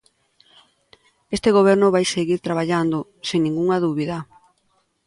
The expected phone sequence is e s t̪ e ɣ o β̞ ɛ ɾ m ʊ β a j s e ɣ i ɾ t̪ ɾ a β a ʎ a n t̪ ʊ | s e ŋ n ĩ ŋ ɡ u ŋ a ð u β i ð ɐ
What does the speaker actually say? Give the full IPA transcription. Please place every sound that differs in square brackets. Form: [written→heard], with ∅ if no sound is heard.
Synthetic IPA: e s t̪ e ɣ o β̞ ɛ ɾ [m→n] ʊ β a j s e ɣ i ɾ t̪ ɾ a β a ʎ a n [t̪→d̪] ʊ | s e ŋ n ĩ ŋ ɡ u ŋ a ð u β i ð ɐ